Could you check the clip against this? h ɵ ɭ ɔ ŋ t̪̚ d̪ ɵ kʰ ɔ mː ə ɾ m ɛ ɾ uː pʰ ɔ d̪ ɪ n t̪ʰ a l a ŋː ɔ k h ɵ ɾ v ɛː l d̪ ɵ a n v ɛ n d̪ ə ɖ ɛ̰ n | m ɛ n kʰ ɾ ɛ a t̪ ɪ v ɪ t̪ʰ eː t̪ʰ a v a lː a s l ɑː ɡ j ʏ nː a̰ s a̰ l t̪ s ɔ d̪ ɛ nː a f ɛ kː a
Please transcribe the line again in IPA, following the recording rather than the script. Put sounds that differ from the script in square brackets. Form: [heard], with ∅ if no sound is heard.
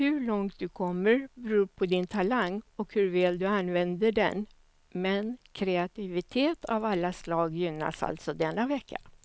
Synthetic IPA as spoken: h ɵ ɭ ɔ ŋ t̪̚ d̪ ɵ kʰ ɔ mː ə ɾ [b] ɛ ɾ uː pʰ ɔ d̪ ɪ n t̪ʰ a l a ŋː ɔ k h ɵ ɾ v ɛː l d̪ ɵ a n v ɛ n d̪ ə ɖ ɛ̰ n | m ɛ n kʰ ɾ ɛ a t̪ ɪ v ɪ t̪ʰ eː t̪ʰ a v a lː a s l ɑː ɡ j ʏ nː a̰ s a̰ l t̪ s ɔ d̪ ɛ nː a [v] ɛ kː a